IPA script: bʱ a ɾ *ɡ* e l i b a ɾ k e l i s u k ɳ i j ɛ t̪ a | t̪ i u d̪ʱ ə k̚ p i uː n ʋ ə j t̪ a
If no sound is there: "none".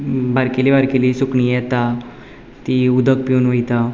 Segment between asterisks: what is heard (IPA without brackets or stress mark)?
k